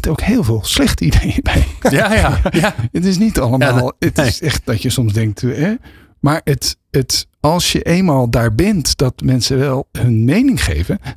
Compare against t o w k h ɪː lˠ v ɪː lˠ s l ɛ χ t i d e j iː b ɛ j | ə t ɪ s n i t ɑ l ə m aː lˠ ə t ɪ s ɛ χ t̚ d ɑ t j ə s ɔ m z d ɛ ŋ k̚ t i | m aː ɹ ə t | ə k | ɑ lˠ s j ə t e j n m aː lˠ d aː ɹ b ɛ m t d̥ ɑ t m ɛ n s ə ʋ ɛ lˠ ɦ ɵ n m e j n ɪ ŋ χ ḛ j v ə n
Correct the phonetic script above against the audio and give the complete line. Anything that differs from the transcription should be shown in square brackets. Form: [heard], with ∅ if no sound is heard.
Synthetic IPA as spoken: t o w k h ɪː lˠ v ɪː lˠ s l ɛ χ t i d e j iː b ɛ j | ə t ɪ s n i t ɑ l ə m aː lˠ ə t ɪ s ɛ χ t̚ d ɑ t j ə s ɔ m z d ɛ ŋ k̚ t [ɛ] | m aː ɹ ə t | ə [t] | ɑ lˠ s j ə [ʔ] e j n m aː lˠ d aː ɹ b ɛ [n] t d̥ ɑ t m ɛ n s ə ʋ ɛ lˠ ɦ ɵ n m e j n ɪ ŋ χ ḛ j v ə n